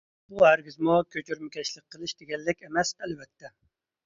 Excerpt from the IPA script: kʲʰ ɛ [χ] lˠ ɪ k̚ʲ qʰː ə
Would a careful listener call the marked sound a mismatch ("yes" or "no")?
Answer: yes